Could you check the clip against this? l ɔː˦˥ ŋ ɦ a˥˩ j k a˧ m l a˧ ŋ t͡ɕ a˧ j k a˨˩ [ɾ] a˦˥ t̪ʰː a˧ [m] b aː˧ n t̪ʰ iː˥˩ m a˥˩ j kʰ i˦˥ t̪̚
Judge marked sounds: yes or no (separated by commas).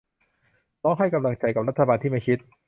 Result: yes, no